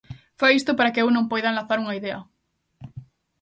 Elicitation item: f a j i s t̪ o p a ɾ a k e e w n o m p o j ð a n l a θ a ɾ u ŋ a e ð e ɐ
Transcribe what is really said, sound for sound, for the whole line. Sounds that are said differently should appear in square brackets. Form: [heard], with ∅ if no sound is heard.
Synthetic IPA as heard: f a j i s t̪ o p a ɾ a k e e w n [õ] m p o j ð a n l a θ a ɾ u ŋ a [i] ð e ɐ